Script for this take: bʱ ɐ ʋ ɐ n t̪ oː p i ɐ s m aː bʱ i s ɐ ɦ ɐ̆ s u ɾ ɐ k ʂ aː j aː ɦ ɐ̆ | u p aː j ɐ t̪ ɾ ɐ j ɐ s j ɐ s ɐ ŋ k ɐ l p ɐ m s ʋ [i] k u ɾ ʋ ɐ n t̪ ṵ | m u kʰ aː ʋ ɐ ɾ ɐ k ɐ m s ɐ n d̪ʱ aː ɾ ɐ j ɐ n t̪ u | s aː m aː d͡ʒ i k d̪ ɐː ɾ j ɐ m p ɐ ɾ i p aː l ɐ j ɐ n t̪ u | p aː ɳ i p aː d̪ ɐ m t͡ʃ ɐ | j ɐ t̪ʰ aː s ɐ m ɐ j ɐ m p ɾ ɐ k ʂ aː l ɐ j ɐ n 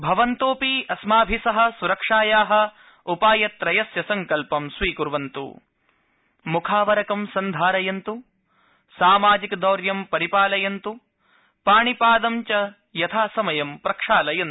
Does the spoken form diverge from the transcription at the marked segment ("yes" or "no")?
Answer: yes